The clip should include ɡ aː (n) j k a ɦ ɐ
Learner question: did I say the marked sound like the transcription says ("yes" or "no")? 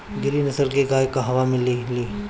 no